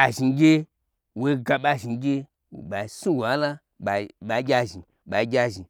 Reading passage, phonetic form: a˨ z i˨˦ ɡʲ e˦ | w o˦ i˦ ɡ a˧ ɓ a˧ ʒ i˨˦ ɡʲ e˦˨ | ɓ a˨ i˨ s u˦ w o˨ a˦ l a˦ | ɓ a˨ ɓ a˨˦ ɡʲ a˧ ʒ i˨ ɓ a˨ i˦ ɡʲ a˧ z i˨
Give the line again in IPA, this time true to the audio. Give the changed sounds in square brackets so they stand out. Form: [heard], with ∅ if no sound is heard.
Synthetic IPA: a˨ [ʒ] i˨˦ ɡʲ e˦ | w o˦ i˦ ɡ a˧ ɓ a˧ ʒ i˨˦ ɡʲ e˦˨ | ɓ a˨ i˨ s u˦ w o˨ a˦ l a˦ | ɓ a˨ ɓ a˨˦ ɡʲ a˧ ʒ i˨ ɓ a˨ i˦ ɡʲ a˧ [ʒ] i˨

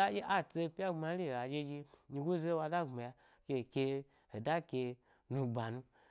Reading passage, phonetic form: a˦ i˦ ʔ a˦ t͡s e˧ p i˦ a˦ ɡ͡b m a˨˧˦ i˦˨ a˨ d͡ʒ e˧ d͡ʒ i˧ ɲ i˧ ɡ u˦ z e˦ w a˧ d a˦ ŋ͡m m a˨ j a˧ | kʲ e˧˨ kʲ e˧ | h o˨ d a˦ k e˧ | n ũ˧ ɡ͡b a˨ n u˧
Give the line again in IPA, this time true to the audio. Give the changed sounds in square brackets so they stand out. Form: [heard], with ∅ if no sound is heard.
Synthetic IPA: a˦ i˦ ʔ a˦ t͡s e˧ p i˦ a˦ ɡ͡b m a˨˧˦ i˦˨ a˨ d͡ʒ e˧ d͡ʒ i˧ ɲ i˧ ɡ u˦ z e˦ w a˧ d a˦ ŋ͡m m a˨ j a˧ | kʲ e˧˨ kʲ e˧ | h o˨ d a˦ k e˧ | n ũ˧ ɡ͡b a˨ n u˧

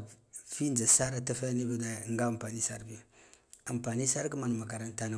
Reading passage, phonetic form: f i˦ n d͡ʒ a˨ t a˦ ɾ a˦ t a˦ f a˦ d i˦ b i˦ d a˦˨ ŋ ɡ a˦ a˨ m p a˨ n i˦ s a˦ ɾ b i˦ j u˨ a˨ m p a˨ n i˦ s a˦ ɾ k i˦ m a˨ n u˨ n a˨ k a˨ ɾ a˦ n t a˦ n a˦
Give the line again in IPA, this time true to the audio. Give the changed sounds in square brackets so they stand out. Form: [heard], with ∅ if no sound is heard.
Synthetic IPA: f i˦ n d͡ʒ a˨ [s] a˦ ɾ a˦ t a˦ f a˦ [n] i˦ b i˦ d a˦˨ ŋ ɡ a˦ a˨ m p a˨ n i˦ s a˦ ɾ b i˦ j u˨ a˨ m p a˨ n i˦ s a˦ ɾ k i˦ m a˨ n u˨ [m] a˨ k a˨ ɾ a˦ n t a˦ n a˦

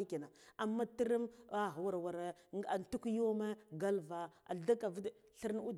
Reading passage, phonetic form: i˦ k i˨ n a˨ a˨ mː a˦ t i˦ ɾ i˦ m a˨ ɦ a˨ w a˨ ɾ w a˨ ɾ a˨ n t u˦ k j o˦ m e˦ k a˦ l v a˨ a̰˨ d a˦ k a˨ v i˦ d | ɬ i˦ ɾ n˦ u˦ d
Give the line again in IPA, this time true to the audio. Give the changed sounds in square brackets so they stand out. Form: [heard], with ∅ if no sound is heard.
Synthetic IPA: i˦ k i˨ n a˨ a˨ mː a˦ t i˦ ɾ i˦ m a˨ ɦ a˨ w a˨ ɾ w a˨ ɾ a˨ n t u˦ k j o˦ m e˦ [ɡ] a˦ l v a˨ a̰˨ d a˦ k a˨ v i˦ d | ɬ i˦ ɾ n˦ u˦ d

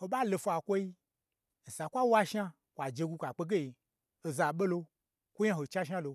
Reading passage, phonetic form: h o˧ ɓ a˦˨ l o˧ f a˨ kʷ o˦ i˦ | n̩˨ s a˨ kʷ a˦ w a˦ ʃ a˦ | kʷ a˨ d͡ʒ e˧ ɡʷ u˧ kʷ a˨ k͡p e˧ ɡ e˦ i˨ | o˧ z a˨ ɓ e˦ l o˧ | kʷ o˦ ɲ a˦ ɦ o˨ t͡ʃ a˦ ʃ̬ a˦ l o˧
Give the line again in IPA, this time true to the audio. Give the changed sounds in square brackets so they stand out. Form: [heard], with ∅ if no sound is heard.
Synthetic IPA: h o˧ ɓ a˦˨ l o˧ f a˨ kʷ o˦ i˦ | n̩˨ s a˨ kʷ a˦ w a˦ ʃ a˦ | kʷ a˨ d͡ʒ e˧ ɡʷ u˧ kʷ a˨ k͡p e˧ ɡ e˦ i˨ | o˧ z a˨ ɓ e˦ l o˧ | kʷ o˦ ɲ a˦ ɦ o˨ t͡ʃ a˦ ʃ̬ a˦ l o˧

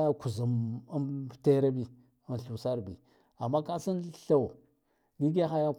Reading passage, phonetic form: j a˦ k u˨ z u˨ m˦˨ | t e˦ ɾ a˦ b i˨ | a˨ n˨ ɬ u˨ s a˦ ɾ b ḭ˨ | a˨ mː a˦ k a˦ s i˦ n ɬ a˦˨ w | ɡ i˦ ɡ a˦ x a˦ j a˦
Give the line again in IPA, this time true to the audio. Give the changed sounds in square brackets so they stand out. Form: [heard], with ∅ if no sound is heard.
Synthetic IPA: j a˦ k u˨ z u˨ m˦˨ | t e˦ ɾ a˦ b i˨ | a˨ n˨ ɬ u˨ s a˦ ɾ b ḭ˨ | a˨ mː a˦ k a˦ s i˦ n ɬ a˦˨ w | ɡ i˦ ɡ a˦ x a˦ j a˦

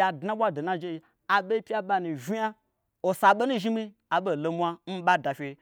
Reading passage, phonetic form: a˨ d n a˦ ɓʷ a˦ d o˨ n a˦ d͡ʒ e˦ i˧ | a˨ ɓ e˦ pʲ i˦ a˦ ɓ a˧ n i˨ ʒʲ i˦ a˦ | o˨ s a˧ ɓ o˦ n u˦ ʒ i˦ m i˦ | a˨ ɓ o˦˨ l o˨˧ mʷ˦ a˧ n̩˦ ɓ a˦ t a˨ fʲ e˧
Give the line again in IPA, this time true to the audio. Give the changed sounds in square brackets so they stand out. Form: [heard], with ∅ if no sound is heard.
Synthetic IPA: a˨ d n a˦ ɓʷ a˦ d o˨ n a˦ d͡ʒ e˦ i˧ | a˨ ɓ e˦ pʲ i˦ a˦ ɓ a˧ n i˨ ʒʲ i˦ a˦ | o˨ s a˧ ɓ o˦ n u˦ ʒ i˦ m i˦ | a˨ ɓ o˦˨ l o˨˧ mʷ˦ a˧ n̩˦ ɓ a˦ [d] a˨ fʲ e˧

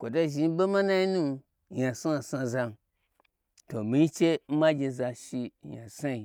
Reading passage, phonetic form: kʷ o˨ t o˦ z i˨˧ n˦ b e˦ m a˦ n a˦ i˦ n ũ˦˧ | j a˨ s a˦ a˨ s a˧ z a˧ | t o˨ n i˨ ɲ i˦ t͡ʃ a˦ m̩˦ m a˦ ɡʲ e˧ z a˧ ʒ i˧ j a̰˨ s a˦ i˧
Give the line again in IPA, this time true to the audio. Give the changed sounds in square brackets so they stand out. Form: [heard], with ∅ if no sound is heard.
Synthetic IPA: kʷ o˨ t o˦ [ʒ] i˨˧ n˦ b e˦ m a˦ n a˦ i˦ n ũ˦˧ | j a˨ s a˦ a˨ s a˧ z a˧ | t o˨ [m] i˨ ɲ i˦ t͡ʃ [e˦] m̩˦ m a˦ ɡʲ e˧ z a˧ [ʃ] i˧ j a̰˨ s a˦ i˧

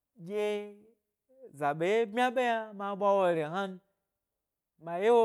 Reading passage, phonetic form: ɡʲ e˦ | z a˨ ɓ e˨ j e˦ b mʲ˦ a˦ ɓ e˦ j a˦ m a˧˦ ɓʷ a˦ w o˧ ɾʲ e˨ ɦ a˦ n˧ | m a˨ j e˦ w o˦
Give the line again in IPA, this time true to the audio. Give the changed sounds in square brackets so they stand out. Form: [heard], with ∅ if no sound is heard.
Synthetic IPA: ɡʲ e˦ | z a˨ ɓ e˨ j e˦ b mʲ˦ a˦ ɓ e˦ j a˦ m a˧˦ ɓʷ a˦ w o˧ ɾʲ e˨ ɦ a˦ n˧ | m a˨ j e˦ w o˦

